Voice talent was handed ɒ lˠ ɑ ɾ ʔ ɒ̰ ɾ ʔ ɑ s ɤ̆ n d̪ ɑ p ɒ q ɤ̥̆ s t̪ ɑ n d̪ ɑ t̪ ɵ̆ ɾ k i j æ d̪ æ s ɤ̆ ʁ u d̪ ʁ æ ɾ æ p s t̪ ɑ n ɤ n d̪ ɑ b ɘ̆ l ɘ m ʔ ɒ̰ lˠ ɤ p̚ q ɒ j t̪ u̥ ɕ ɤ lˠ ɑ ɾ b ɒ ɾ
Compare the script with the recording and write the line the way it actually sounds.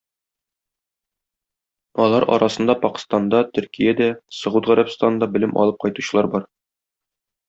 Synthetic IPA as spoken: ɒ lˠ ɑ ɾ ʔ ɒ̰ ɾ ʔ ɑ s ɤ̆ n d̪ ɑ p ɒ q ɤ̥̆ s t̪ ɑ n d̪ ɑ t̪ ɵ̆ ɾ k i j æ d̪ æ s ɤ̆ ʁ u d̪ ʁ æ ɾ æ p s t̪ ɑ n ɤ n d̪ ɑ b ɘ̆ l ɘ m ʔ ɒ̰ lˠ ɤ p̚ q ɒ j t̪ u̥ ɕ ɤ lˠ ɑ ɾ b ɒ ɾ